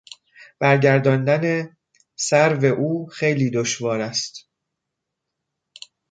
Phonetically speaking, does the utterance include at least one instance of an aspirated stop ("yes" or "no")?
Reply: no